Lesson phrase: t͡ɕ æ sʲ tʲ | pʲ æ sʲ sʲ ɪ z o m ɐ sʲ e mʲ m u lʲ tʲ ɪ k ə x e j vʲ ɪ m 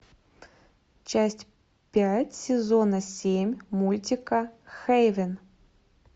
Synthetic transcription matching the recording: t͡ɕ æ sʲ tʲ | pʲ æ tʲ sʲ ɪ z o n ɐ sʲ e mʲ m u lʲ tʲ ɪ k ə x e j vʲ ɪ n